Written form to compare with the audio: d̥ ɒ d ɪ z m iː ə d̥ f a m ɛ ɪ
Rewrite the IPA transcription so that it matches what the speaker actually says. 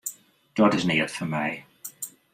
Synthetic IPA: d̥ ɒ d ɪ z n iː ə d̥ f ə m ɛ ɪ